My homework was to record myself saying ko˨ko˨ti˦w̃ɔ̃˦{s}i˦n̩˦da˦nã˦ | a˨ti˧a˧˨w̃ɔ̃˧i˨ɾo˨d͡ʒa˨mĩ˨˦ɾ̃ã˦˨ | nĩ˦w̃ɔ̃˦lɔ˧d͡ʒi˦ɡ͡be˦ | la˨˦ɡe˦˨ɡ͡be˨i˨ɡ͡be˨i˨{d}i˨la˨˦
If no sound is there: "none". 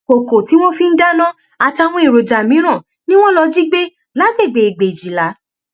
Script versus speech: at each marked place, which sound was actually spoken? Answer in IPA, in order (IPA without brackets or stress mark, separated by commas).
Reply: f, d͡ʒ